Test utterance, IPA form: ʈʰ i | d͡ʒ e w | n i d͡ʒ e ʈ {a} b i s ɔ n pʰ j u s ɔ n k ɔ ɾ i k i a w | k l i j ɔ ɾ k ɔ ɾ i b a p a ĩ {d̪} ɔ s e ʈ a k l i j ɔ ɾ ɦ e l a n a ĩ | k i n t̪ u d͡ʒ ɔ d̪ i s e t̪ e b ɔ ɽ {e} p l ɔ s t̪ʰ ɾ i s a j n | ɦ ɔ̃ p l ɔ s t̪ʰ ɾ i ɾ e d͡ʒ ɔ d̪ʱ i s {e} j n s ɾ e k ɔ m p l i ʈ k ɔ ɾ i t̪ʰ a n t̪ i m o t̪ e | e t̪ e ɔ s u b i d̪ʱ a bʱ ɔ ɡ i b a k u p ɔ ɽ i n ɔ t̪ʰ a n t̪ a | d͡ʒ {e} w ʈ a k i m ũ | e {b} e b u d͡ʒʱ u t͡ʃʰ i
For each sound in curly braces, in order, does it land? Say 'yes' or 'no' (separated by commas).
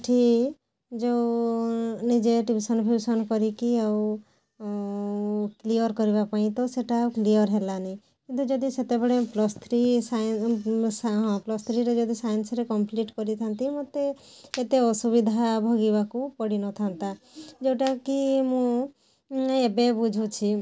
no, no, yes, no, yes, yes